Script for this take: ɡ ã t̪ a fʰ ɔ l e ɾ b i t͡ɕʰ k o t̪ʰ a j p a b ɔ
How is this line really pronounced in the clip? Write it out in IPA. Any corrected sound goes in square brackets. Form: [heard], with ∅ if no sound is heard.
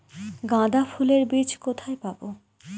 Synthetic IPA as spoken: ɡ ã [d̪] a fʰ [u] l e ɾ b i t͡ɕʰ k o t̪ʰ a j p a b [o]